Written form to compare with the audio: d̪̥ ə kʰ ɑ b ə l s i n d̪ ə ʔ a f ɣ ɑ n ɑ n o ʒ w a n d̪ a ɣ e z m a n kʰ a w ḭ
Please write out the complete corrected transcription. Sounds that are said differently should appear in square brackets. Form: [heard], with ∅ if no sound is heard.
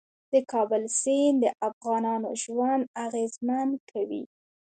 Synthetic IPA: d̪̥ ə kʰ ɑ b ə l s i n d̪ ə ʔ a f ɣ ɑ n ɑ n o ʒ w a n d̪ a ɣ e z m a n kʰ a w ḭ